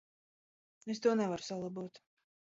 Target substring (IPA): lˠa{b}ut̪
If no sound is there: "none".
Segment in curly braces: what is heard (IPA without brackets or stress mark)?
b